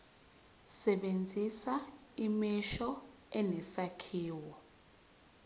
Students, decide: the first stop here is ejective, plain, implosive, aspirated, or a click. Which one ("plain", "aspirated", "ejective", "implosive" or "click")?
implosive